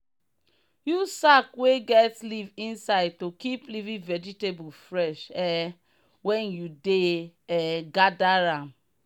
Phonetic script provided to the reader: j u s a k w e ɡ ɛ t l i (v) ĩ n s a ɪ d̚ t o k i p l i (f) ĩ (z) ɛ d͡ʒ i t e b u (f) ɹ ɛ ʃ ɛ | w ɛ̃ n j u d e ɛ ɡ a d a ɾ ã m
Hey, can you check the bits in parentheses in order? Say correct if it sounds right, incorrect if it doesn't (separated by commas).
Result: correct, incorrect, incorrect, correct